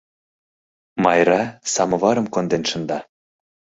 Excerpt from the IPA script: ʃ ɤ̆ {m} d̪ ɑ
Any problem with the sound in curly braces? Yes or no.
yes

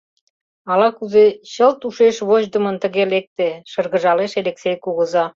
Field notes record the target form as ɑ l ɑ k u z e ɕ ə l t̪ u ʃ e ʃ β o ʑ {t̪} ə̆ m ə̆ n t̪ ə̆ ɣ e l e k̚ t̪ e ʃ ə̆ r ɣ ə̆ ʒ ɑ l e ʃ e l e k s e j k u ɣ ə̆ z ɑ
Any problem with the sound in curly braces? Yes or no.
yes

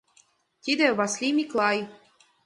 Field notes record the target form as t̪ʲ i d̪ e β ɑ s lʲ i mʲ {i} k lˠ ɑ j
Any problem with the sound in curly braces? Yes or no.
no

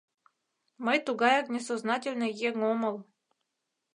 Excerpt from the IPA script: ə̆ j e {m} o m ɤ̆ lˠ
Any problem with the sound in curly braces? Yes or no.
yes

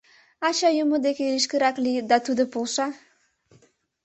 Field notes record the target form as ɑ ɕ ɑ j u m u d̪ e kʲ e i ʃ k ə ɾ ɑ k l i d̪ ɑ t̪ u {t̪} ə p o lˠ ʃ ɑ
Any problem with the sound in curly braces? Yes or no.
yes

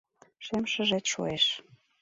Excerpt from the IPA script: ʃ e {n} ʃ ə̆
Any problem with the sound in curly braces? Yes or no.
yes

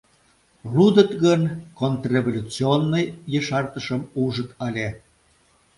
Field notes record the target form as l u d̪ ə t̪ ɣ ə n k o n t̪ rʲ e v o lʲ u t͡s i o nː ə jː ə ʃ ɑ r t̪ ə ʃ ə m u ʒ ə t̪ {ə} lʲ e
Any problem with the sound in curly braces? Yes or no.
yes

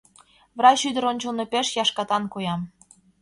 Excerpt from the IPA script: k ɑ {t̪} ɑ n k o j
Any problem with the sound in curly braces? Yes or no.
no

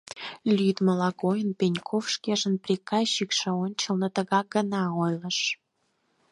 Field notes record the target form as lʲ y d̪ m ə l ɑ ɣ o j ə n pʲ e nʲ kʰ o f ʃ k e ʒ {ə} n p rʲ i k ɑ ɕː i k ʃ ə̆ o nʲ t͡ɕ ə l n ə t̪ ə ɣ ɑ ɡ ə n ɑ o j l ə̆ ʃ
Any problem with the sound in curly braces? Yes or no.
no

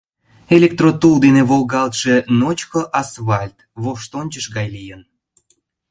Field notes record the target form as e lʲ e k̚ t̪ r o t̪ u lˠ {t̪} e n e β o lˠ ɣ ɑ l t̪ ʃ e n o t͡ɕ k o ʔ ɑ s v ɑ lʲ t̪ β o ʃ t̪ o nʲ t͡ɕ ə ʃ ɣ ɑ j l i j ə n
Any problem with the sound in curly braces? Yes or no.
yes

